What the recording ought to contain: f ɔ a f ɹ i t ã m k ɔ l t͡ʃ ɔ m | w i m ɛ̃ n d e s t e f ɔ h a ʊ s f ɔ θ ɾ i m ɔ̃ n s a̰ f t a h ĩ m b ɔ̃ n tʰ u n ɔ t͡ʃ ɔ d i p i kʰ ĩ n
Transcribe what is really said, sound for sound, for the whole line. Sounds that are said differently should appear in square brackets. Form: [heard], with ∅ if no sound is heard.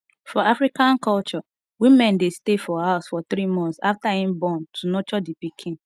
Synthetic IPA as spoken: f ɔ a f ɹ i [k] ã [n] k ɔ l t͡ʃ ɔ [∅] | w i m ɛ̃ n d e s t e f ɔ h a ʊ s f ɔ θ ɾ i m ɔ̃ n s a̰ f t a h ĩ m b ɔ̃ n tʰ u n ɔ t͡ʃ ɔ d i p i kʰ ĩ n